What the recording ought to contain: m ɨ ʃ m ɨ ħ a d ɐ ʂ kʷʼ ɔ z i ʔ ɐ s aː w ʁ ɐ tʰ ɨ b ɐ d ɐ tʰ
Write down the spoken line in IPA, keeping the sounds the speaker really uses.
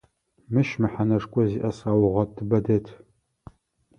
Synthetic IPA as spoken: m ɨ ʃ m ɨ ħ a n ɐ ʂ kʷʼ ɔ z i ʔ ɐ s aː w ʁ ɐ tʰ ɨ b ɐ d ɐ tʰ